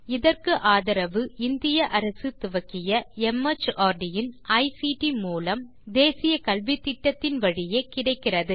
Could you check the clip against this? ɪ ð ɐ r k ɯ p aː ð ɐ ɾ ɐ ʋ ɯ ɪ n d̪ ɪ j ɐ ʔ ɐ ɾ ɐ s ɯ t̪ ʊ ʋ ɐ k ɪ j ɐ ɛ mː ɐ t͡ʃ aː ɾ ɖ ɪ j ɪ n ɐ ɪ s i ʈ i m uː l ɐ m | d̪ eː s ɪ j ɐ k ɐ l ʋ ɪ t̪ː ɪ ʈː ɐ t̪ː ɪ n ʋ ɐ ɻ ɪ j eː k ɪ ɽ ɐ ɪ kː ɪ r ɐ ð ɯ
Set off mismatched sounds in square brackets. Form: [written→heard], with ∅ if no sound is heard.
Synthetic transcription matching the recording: ɪ ð ɐ r k ɯ [p→ʔ] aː ð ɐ ɾ ɐ ʋ ɯ ɪ n d̪ ɪ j ɐ ʔ ɐ ɾ ɐ s ɯ t̪ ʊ ʋ ɐ k ɪ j ɐ ɛ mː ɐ t͡ʃ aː ɾ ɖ ɪ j ɪ n ɐ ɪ s i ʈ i m uː l ɐ m | d̪ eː s ɪ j ɐ k ɐ l ʋ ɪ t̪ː ɪ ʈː ɐ t̪ː ɪ n ʋ ɐ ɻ ɪ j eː k ɪ ɽ ɐ ɪ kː ɪ r ɐ ð ɯ